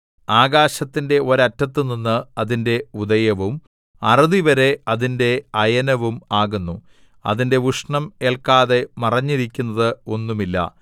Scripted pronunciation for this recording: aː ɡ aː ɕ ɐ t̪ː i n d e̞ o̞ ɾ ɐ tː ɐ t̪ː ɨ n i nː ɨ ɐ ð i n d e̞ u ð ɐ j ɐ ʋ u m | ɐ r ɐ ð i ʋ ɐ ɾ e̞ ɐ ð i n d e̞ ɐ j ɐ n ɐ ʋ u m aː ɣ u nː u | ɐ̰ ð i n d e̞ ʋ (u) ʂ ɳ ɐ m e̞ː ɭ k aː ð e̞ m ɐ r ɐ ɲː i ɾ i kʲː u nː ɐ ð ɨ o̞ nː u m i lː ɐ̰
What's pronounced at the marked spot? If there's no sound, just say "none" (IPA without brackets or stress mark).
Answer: u